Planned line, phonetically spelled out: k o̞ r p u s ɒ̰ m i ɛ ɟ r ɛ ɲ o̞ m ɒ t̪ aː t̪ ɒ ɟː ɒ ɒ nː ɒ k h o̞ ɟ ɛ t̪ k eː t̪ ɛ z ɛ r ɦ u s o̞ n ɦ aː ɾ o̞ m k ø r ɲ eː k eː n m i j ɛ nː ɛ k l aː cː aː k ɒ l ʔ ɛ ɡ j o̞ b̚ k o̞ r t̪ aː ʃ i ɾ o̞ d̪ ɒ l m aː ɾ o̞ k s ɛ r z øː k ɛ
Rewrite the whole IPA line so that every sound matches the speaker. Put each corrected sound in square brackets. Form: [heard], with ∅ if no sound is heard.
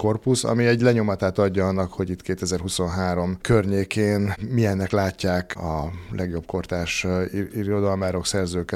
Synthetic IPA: k o̞ r p u s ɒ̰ m i ɛ ɟ [l] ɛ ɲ o̞ m ɒ t̪ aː t̪ ɒ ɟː ɒ ɒ nː ɒ k h o̞ ɟ [i] t̪ k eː t̪ ɛ z ɛ r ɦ u s o̞ n ɦ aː ɾ o̞ m k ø r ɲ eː k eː n m i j ɛ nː ɛ k l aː cː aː k ɒ l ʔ ɛ ɡ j o̞ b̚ k o̞ r t̪ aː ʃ i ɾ o̞ d̪ ɒ l m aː ɾ o̞ k s ɛ r z øː k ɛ